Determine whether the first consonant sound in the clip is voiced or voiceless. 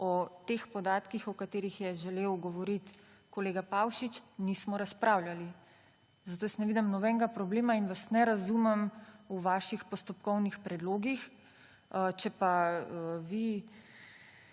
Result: voiceless